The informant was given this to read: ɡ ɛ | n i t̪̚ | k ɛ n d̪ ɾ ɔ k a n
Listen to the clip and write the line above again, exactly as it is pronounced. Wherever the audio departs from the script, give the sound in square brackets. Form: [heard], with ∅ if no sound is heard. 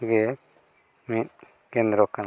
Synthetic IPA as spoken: ɡ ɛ | [m] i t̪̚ | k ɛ n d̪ ɾ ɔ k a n